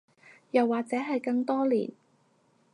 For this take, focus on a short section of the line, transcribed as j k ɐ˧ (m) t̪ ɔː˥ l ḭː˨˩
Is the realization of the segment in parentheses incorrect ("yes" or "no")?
yes